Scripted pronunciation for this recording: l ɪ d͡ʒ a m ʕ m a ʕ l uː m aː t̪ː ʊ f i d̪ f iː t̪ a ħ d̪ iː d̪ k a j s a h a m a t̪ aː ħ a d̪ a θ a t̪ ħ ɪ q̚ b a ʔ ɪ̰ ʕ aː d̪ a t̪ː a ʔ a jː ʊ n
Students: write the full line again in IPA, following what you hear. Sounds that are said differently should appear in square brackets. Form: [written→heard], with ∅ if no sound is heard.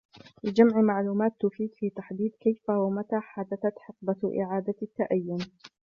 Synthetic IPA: l ɪ d͡ʒ a m ʕ m a ʕ l uː m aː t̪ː ʊ f [i→iː] d̪ f iː t̪ a ħ d̪ iː d̪ k a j [s→f] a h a m a t̪ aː ħ a d̪ a θ a t̪ ħ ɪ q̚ b a ʔ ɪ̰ ʕ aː d̪ a t̪ː a ʔ a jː ʊ n